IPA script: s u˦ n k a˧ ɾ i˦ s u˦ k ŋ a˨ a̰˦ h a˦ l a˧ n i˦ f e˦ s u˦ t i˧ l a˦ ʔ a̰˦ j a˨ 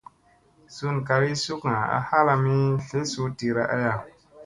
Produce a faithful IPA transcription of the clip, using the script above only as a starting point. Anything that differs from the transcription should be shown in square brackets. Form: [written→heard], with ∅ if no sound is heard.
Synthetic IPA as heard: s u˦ n k a˧ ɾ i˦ s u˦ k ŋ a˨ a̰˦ h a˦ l a˧ [n→m] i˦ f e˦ s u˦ t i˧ [l→ɾ] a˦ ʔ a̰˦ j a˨